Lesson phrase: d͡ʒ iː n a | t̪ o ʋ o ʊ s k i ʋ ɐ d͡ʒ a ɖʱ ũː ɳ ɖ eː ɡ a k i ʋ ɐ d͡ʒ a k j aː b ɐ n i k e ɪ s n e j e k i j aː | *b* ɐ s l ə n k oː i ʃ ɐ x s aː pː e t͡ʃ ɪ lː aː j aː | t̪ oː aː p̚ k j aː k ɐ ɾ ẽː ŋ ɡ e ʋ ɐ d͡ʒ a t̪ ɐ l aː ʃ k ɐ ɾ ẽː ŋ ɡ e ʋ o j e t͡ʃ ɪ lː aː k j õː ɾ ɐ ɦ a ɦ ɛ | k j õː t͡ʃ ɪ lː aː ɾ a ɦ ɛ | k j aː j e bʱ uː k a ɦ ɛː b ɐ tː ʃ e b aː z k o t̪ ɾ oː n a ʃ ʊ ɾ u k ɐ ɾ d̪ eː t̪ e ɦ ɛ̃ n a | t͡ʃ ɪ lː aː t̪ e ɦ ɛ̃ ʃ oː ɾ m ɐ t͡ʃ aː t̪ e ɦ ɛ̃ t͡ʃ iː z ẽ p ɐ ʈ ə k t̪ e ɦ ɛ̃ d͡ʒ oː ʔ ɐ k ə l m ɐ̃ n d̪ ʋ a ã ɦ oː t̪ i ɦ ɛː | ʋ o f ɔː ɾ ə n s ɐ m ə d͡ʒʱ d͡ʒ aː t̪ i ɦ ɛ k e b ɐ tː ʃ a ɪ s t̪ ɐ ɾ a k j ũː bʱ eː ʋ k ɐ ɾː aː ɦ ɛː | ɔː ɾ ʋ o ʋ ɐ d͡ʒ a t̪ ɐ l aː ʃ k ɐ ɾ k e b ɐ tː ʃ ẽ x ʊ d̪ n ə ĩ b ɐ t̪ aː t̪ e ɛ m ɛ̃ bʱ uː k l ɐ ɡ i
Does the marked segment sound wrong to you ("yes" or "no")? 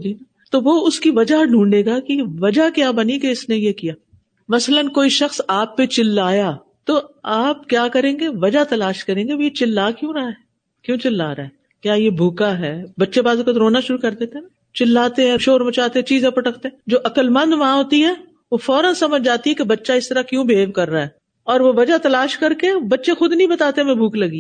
yes